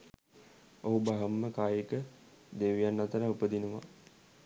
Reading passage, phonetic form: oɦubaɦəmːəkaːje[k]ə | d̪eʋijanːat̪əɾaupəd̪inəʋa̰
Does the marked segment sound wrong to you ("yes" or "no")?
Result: no